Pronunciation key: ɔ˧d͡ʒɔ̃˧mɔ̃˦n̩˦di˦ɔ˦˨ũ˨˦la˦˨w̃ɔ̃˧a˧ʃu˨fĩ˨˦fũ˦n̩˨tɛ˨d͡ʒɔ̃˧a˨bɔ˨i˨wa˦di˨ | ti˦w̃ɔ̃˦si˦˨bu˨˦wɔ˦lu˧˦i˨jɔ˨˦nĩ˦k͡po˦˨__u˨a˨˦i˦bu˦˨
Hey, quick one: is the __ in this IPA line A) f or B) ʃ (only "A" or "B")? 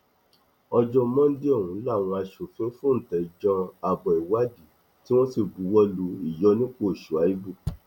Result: B